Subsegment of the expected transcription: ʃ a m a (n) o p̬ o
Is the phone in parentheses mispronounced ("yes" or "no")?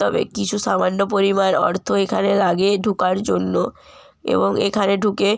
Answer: yes